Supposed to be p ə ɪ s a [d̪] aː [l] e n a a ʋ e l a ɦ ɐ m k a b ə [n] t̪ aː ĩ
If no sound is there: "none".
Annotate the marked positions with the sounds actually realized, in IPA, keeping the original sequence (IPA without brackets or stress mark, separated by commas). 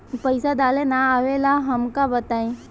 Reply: d̪, l, none